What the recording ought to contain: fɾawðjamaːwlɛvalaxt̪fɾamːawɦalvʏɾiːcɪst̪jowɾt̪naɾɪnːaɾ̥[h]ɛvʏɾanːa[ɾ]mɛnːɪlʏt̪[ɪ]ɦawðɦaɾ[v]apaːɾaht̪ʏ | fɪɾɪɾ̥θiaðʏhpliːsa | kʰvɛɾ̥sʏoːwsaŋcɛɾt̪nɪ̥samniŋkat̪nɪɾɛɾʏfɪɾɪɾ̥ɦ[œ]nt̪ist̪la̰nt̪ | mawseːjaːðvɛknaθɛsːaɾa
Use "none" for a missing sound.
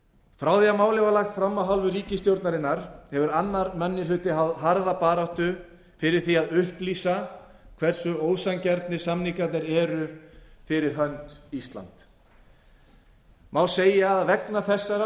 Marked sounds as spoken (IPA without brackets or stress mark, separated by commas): h, ɾ, ɪ, ð, œ